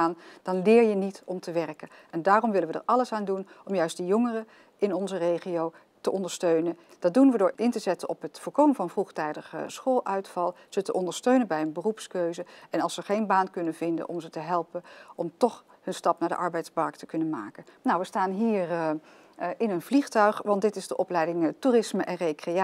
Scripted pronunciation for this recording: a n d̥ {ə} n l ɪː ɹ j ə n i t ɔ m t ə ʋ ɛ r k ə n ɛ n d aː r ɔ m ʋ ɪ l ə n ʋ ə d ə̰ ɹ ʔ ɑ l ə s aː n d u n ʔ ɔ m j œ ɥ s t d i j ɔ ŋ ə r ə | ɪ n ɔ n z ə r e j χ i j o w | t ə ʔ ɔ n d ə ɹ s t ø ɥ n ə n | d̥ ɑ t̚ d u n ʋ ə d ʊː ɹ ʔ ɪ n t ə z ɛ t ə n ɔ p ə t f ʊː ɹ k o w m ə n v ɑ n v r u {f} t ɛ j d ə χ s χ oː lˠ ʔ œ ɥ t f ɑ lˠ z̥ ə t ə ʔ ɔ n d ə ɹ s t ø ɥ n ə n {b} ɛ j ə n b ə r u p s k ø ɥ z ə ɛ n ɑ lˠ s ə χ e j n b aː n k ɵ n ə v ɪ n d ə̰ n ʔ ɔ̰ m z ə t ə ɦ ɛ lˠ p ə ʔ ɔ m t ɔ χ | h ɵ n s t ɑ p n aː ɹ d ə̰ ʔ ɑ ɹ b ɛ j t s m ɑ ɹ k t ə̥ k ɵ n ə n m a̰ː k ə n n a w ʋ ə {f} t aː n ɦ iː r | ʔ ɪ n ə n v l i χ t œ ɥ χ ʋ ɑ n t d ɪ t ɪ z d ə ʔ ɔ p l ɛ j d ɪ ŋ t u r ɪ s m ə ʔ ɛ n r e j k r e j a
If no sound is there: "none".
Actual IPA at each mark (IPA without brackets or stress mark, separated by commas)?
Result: ɑ, χ, b, s